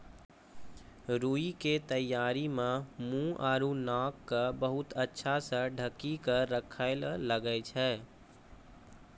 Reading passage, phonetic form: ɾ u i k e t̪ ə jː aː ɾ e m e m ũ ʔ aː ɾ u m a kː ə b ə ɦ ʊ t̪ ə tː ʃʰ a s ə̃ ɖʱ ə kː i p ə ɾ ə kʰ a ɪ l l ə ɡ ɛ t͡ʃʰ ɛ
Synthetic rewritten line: ɾ u i k e t̪ ə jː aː ɾ i m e m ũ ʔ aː ɾ u n a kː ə b ə ɦ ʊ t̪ ə tː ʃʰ a s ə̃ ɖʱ ə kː i k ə ɾ ə kʰ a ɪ l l ə ɡ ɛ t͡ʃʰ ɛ